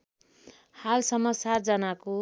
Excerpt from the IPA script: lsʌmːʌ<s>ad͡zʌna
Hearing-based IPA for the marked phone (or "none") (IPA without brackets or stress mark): s